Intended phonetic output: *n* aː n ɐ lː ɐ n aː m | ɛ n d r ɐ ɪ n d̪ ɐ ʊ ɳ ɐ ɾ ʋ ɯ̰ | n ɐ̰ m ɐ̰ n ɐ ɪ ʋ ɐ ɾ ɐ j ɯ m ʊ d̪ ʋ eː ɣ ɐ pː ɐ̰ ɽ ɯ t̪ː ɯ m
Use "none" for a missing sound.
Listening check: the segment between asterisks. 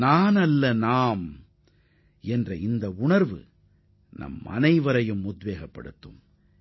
n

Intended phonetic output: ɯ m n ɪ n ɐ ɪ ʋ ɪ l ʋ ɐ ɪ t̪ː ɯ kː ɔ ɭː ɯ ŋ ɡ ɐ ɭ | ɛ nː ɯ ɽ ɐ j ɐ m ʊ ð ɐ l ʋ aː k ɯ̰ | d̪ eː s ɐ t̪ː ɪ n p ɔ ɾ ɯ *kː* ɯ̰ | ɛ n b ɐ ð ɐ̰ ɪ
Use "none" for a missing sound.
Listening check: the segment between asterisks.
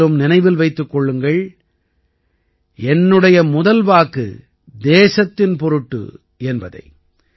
ʈː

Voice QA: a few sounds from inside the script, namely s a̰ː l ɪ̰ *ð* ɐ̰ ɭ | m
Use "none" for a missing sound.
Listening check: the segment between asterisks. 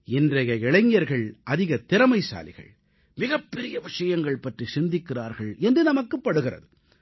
ɣ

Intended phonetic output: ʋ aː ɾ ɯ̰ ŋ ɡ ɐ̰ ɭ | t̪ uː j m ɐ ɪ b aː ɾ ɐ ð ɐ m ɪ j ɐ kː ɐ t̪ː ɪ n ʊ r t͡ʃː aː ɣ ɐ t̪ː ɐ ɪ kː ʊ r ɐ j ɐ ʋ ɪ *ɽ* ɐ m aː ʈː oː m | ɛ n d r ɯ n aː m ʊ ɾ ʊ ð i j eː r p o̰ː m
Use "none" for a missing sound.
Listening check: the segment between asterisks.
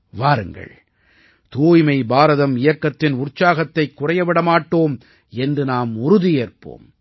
ɽ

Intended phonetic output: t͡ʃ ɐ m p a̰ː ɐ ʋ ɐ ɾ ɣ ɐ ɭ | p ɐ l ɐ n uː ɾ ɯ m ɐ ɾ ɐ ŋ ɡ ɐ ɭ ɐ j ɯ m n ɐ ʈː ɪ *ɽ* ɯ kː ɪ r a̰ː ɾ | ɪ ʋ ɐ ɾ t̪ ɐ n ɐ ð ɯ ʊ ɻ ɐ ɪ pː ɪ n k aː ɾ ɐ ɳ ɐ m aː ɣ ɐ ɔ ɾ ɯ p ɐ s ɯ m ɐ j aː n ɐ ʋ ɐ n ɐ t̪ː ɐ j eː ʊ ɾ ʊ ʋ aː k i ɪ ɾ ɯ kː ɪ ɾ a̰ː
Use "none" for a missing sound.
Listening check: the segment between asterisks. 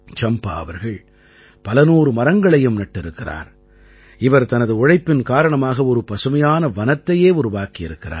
ɾ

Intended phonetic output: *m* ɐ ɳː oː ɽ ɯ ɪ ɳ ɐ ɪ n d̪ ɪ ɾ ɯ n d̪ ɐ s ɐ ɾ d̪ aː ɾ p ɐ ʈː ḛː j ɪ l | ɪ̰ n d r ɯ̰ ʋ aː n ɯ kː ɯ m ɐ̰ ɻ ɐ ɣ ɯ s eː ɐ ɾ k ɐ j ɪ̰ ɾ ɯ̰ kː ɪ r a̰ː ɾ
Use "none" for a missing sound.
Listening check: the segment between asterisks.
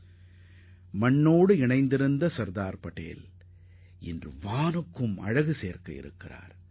m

